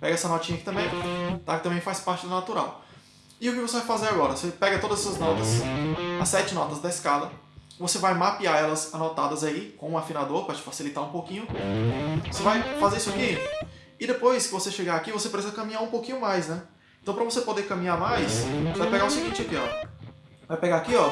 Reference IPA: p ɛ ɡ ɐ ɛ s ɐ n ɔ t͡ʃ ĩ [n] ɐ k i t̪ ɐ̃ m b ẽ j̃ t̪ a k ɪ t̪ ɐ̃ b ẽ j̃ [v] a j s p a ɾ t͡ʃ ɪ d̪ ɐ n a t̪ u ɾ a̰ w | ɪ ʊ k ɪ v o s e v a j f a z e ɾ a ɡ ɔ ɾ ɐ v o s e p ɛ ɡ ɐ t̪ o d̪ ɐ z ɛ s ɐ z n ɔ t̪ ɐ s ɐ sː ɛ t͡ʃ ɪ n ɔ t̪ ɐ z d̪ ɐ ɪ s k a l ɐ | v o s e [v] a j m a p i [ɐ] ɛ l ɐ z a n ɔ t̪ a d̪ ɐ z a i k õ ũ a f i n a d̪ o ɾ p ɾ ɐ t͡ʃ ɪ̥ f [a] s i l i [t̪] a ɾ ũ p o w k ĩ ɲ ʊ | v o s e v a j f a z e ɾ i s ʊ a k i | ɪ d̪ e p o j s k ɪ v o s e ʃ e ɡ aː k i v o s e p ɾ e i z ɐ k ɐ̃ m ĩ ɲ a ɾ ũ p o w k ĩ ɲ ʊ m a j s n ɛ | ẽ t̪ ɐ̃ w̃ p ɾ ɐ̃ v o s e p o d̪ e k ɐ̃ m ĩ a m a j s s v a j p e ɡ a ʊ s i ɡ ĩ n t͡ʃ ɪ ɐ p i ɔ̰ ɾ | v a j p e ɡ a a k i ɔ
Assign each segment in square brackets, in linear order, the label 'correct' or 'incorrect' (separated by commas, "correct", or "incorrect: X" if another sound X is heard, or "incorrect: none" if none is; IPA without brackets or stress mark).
incorrect: ɲ, incorrect: f, correct, incorrect: a, correct, correct